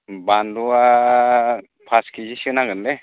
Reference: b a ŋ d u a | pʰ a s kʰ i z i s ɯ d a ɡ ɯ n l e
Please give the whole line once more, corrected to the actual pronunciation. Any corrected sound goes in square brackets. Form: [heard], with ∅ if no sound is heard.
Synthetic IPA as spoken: b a [n] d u a | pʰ a s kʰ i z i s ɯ [n] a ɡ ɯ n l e